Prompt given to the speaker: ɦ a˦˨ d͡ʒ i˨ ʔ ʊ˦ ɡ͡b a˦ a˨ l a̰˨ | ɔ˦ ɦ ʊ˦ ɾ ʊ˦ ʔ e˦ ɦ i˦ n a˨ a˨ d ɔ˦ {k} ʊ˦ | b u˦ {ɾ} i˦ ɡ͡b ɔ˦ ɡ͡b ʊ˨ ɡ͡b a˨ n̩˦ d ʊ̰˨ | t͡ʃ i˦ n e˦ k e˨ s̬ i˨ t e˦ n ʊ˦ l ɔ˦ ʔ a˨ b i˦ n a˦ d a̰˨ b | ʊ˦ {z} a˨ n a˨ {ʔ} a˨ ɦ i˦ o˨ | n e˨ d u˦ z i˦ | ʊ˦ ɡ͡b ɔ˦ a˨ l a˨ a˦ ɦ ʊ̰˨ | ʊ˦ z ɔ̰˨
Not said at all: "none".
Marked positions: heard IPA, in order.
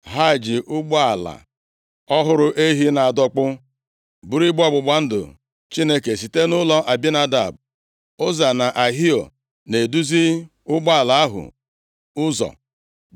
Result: k͡p, ɾ, z, ʔ

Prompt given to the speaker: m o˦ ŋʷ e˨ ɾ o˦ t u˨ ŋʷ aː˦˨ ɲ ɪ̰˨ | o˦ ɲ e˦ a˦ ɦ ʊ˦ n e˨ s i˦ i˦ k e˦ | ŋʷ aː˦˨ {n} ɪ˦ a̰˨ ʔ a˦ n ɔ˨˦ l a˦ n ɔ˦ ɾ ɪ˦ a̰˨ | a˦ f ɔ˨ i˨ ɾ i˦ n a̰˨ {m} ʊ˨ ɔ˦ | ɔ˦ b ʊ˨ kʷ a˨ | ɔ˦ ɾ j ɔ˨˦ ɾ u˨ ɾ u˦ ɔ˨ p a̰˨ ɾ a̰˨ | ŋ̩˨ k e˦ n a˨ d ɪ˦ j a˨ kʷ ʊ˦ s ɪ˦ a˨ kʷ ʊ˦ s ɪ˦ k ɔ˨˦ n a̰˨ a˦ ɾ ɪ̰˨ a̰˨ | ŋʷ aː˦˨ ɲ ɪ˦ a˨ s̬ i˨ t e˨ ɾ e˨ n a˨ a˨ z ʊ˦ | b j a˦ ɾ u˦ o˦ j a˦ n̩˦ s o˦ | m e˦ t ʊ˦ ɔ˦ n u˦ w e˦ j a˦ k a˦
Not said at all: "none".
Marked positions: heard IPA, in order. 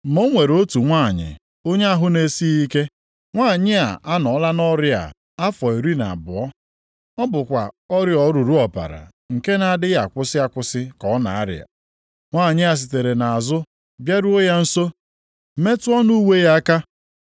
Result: ɲ, b

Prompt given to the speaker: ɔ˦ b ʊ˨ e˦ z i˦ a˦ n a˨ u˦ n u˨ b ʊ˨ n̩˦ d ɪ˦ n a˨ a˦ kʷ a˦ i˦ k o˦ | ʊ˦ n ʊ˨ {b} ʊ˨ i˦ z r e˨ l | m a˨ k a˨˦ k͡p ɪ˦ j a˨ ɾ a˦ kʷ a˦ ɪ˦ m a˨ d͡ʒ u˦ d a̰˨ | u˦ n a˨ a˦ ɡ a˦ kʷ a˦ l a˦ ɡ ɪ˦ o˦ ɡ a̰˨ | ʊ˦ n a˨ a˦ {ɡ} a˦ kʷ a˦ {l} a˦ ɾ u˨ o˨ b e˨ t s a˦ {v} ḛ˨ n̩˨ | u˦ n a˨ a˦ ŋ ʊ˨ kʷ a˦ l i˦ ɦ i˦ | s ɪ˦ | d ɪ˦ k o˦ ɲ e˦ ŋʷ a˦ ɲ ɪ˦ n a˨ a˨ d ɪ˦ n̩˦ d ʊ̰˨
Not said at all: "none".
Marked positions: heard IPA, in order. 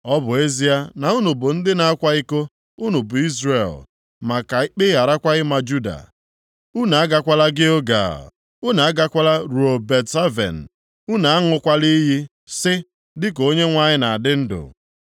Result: b, ɡ, l, v

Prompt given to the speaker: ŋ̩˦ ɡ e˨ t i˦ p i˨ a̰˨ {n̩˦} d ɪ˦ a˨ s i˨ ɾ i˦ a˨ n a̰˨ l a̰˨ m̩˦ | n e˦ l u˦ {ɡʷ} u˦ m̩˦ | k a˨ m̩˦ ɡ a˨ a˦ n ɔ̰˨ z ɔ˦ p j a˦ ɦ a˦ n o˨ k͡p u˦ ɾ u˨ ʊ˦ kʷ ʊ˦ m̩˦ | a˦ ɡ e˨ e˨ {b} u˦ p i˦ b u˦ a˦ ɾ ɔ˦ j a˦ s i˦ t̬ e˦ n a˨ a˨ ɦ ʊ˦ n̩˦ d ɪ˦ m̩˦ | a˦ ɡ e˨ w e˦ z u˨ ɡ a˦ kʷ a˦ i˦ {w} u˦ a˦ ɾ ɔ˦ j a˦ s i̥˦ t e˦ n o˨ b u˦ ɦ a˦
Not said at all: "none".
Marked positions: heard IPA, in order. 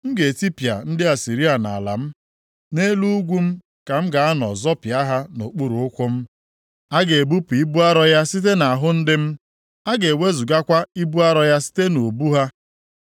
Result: n̩˦, ɡʷ, b, b

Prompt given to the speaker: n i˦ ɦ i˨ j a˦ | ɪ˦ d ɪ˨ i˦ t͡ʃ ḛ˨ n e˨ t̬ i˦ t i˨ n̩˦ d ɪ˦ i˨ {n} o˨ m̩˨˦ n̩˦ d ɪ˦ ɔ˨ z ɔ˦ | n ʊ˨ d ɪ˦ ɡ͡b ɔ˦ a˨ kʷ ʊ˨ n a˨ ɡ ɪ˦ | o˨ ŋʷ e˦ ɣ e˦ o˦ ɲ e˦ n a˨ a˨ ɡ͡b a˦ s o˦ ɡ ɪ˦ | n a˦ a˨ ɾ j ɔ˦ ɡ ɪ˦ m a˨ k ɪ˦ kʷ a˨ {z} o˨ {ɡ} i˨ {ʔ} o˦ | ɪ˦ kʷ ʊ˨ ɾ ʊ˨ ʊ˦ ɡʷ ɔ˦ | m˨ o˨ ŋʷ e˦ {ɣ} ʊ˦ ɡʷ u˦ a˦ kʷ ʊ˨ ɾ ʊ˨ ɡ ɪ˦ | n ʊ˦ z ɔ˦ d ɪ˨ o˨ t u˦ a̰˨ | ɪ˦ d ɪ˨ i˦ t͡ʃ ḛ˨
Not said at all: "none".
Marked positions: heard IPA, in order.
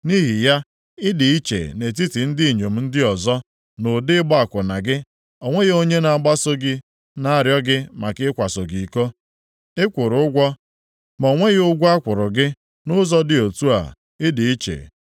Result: ɲ, s, ɡ, k, ɣ

